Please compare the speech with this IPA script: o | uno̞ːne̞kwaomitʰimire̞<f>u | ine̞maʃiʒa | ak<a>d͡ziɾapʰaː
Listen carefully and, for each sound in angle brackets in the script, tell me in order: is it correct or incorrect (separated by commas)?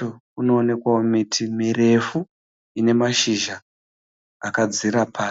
correct, correct